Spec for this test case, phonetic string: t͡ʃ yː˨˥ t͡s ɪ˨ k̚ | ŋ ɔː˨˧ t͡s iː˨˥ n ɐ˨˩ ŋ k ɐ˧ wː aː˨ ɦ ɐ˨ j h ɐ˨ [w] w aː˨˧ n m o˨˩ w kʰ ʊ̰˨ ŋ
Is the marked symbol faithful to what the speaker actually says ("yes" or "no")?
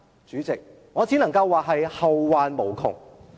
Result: yes